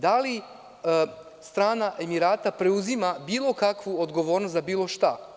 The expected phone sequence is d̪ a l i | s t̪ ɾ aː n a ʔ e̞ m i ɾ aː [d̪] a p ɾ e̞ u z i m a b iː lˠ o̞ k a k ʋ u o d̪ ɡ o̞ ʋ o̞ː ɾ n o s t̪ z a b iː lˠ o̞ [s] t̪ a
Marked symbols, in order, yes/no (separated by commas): no, no